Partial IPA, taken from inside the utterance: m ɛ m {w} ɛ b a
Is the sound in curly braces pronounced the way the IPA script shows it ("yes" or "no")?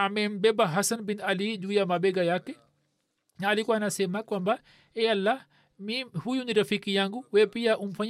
no